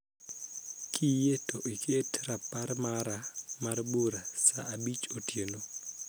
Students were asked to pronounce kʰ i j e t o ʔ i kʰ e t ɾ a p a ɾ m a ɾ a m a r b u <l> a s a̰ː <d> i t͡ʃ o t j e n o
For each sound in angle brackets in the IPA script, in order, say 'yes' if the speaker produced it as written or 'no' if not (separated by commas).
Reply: no, no